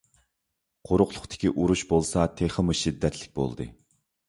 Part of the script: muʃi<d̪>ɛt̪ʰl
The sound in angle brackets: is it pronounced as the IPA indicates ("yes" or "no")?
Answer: no